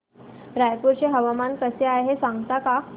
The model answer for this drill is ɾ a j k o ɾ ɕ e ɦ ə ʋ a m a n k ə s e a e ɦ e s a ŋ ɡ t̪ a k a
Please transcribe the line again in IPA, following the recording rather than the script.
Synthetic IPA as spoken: ɾ a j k u ɾ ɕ e ɦ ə ʋ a m a n k ə s e a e ɦ e s a ŋ ɡ t̪ a k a